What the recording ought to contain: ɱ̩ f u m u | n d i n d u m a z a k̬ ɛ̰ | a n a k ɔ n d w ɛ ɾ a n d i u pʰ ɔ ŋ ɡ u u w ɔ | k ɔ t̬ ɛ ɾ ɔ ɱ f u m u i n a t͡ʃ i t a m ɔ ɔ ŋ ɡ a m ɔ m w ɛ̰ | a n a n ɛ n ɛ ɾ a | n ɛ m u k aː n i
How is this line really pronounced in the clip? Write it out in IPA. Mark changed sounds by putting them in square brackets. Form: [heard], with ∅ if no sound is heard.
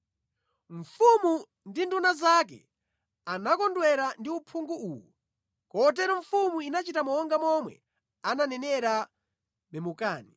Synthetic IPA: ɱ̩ f u m u | n d i n d u [n] a z a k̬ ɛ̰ | a n a k ɔ n d w ɛ ɾ a n d i u pʰ [u] ŋ ɡ u u w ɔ | k ɔ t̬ ɛ ɾ ɔ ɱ f u m u i n a t͡ʃ i t a m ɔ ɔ ŋ ɡ a m ɔ m w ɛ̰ | a n a n ɛ n ɛ ɾ a | [m] ɛ m u k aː n i